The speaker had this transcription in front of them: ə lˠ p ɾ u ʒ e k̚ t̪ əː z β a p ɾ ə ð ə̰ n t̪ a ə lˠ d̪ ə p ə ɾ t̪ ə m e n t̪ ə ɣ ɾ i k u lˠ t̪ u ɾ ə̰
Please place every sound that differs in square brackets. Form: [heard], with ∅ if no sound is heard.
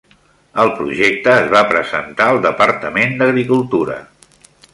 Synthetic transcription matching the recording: ə lˠ p ɾ u ʒ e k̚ t̪ əː z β a p ɾ ə [z] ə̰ n t̪ a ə lˠ d̪ ə p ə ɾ t̪ ə m e n [d̪] ə ɣ ɾ i k u lˠ t̪ u ɾ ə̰